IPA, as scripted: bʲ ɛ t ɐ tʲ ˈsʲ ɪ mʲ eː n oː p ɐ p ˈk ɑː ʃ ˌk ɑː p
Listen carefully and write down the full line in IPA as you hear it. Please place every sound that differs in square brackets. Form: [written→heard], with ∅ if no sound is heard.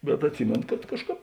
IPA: bʲ ɛ t ɐ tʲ ˈsʲ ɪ mʲ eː n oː [p→k] ɐ [p→t] ˈk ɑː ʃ ˌk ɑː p